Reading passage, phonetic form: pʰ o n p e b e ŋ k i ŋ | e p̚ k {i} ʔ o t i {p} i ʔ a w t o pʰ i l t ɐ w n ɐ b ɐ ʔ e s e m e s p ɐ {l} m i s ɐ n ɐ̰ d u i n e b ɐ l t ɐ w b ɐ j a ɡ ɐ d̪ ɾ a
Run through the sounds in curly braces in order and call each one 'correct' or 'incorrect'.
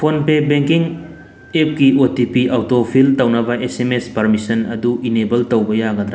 correct, correct, incorrect

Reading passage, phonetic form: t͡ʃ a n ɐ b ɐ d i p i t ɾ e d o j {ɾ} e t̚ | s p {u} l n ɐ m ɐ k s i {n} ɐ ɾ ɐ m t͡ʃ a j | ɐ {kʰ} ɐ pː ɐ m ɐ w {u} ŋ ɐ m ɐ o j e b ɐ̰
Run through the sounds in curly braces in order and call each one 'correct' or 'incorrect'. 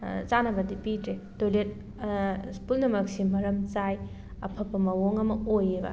incorrect, correct, incorrect, incorrect, incorrect

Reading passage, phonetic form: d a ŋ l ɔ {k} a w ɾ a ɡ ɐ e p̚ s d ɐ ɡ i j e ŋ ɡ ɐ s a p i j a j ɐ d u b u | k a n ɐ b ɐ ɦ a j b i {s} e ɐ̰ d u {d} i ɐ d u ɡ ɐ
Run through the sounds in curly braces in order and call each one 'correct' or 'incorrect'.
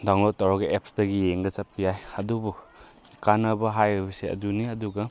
incorrect, correct, incorrect

